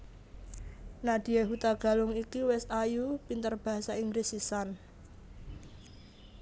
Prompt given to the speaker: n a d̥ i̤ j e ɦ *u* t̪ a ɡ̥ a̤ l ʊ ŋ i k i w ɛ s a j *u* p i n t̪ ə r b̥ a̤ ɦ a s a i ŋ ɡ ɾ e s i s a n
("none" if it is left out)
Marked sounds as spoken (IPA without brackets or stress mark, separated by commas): u, u